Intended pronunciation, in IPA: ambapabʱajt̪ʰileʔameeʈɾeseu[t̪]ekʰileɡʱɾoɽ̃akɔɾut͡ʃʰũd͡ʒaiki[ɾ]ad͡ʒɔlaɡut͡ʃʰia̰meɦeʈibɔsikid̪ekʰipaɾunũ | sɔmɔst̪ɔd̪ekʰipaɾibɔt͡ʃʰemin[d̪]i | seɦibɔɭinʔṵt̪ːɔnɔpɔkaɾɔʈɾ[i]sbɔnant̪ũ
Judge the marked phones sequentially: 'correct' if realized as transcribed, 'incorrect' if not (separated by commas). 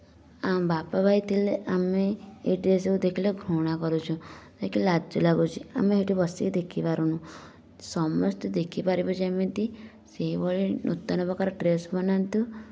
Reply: incorrect, incorrect, incorrect, incorrect